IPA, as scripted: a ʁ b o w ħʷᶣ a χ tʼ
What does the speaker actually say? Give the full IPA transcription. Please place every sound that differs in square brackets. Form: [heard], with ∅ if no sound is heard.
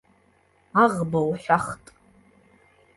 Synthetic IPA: a ʁ b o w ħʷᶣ a χ tʼ